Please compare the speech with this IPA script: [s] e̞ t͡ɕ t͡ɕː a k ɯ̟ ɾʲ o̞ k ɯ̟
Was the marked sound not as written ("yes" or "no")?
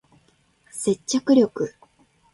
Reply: no